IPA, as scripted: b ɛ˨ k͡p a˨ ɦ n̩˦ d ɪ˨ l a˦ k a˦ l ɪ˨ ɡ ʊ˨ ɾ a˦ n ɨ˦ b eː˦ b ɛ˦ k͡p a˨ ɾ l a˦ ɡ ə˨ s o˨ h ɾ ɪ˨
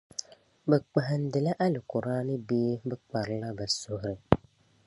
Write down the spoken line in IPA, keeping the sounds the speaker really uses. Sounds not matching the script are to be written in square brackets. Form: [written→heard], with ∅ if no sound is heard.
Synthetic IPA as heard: b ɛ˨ k͡p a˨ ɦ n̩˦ d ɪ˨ l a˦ [k→ʔ] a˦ l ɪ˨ [ɡ→k] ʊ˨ ɾ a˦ n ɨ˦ b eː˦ b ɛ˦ k͡p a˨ ɾ l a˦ [ɡ→b] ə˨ s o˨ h ɾ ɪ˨